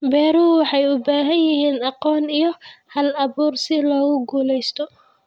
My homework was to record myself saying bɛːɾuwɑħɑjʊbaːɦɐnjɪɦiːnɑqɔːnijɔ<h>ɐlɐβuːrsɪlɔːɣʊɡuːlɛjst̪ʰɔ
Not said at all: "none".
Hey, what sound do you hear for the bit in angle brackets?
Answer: h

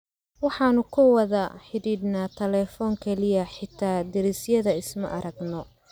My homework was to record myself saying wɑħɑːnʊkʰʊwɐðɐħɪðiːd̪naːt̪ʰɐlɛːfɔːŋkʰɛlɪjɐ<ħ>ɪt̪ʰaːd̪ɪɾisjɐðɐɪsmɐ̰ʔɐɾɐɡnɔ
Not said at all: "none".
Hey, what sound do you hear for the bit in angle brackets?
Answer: ħ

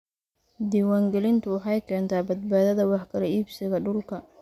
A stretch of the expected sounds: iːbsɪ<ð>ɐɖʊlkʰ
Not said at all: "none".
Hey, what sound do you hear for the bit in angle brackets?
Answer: ɣ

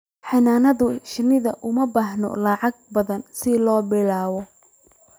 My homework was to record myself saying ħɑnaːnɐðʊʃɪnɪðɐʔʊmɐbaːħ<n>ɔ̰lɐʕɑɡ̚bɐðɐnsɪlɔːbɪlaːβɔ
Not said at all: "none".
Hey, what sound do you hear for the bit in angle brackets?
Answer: n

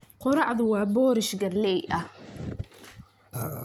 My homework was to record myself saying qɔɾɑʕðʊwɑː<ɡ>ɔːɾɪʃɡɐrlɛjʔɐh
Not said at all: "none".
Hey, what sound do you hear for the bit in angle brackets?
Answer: b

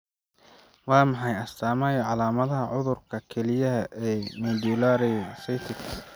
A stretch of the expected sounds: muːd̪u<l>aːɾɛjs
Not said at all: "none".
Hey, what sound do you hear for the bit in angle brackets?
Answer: l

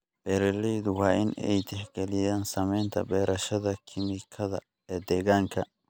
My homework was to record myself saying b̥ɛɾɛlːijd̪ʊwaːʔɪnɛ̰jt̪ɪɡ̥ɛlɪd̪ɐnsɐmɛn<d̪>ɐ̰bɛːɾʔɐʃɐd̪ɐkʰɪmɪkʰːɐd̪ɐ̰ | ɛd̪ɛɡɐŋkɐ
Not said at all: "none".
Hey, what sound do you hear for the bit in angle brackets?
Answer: t̪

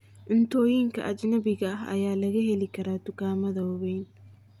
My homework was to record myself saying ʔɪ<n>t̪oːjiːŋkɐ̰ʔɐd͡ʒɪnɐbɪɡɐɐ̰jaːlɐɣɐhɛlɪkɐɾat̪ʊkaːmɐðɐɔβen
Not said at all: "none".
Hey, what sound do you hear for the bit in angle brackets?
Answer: n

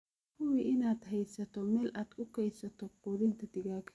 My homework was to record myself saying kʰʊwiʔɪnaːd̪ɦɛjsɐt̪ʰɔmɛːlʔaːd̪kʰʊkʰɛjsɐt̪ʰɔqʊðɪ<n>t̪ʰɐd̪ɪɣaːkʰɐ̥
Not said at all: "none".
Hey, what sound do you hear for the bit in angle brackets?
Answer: n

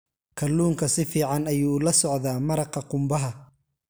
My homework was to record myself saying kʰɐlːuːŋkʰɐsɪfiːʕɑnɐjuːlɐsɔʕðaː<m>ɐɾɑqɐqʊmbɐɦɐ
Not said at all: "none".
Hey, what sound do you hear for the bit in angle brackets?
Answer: m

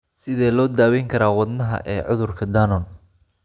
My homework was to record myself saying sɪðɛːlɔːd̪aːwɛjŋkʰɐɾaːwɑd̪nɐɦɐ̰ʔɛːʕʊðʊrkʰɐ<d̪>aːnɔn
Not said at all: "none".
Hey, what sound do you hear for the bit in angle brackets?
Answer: d̪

